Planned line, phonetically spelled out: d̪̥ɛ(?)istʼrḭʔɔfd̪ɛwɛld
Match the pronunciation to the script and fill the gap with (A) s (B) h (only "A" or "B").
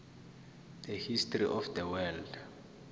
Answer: B